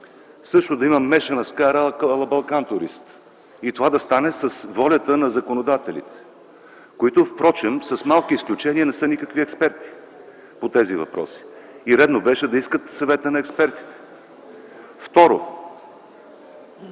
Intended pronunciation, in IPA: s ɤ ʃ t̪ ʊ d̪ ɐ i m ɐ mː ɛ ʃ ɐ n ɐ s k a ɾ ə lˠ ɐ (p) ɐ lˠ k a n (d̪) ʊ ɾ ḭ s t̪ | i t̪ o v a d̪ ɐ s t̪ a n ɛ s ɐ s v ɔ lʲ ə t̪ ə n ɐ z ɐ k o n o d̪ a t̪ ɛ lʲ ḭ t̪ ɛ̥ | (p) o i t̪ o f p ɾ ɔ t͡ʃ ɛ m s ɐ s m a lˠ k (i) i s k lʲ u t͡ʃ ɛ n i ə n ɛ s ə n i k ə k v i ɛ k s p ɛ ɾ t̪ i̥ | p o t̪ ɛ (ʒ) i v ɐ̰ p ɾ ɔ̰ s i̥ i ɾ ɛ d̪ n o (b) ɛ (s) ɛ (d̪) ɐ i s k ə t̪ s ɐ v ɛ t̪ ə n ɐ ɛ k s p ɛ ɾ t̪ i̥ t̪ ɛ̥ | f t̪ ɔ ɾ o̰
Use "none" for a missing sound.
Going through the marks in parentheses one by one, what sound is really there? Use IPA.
b, t̪, k, i, z, b, ʃ, d̪

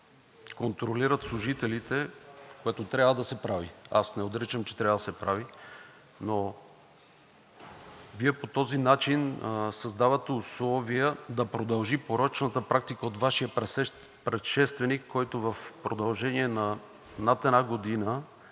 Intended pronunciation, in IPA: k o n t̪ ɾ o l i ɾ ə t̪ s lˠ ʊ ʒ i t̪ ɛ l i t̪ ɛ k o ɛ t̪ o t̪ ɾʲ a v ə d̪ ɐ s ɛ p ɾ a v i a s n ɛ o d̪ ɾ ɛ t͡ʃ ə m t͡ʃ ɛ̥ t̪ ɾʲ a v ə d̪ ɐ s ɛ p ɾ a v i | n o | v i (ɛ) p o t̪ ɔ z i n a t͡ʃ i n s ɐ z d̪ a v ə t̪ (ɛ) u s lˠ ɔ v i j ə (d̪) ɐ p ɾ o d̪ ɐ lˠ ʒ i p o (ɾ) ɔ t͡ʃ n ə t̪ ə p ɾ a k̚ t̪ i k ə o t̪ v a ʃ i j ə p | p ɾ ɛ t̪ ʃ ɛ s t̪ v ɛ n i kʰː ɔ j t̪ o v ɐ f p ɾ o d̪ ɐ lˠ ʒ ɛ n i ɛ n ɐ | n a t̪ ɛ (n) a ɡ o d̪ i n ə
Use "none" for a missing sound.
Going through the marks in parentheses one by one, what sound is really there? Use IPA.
ɛ, ɛ, d̪, ɾ, n

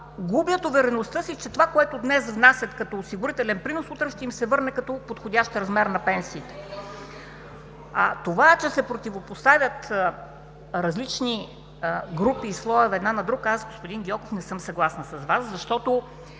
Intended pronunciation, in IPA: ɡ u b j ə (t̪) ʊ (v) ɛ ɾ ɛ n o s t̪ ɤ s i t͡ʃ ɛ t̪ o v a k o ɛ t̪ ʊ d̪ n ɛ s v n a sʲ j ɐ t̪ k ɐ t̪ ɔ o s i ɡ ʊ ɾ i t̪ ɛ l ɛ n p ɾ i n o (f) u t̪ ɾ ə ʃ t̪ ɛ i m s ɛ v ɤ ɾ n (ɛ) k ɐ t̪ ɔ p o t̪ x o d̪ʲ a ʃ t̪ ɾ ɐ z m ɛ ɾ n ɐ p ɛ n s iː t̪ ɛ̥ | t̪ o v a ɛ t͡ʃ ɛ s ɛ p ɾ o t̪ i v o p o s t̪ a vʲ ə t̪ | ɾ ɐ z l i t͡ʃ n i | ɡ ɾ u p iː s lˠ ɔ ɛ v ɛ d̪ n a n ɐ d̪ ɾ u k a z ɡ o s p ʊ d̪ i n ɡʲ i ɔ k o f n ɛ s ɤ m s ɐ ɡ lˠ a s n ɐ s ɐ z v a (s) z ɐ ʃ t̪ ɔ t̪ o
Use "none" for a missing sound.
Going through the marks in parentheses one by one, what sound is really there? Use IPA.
t̪, v, s, ɛ, s

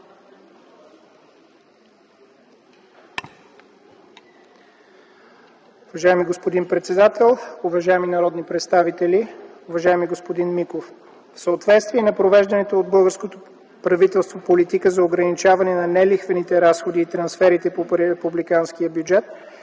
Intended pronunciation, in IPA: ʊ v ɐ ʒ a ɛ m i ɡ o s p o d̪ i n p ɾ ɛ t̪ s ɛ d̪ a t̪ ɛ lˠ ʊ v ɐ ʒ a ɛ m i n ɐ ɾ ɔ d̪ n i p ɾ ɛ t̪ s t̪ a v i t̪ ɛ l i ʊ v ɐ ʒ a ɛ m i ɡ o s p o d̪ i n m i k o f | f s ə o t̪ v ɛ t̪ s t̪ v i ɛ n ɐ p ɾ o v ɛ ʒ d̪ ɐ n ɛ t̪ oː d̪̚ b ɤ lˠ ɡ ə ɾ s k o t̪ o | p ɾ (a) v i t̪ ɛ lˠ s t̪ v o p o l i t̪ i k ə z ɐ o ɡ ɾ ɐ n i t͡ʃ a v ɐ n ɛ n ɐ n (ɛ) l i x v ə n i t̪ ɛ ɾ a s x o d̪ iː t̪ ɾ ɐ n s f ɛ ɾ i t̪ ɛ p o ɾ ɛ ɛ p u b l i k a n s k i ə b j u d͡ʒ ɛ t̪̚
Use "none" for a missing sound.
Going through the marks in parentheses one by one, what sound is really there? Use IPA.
ɐ, ɛ

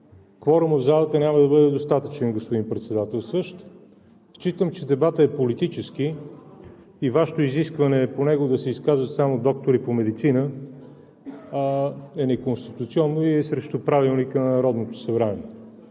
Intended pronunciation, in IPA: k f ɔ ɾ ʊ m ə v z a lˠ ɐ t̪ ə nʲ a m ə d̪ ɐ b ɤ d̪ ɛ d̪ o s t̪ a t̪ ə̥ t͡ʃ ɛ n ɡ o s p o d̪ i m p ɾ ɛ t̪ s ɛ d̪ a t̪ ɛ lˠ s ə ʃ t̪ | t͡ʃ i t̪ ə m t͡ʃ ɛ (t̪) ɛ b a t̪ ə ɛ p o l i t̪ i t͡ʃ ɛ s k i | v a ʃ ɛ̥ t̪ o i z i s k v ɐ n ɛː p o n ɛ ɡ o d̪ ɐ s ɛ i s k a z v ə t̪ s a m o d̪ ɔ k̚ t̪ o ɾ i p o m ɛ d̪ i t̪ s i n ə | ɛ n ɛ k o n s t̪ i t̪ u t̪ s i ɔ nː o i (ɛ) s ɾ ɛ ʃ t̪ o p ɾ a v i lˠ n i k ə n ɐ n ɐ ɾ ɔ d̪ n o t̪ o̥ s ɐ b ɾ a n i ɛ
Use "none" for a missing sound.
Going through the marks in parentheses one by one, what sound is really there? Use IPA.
d̪, ɛ

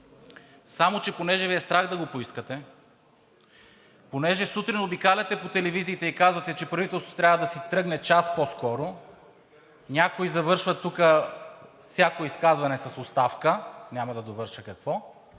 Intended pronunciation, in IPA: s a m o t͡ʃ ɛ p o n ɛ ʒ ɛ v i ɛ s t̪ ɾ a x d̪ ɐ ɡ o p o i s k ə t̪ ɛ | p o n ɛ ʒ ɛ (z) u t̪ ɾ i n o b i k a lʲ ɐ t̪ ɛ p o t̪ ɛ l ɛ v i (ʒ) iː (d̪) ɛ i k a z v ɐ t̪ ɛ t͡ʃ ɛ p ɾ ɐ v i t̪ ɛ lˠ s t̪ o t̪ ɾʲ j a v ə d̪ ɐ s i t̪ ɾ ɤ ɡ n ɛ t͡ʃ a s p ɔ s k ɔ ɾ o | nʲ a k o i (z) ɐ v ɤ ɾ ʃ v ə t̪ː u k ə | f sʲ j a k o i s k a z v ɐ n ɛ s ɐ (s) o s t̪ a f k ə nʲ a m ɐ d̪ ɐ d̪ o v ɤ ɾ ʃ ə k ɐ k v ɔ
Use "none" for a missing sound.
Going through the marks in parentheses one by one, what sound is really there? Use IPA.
s, z, t̪, z, s

